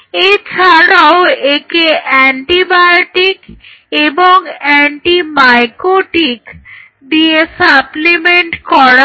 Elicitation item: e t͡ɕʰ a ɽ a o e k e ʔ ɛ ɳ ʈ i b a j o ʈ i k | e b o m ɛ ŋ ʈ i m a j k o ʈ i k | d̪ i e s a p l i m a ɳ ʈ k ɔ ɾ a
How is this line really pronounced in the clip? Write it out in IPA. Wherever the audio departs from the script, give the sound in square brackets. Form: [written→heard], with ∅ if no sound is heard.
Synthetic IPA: e t͡ɕʰ a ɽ a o e k e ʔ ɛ ɳ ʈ i b a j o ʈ i k | e b o [m→ŋ] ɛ [ŋ→ɳ] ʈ i m a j k o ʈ i k | d̪ i e s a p l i m [a→e] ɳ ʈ k ɔ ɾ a